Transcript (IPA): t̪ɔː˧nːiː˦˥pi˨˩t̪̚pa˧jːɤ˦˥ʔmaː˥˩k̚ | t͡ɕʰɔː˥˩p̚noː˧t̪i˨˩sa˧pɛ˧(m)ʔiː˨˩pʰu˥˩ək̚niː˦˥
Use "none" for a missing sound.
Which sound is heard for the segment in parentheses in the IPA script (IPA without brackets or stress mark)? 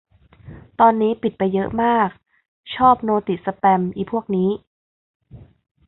m